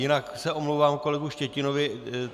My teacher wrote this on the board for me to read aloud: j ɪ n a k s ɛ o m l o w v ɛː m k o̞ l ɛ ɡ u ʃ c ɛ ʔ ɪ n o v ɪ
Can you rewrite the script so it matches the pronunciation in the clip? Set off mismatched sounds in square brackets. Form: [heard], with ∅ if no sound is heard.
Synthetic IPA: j ɪ n a k s ɛ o m l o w v [aː] m k o̞ l ɛ ɡ u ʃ c ɛ [c] ɪ n o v ɪ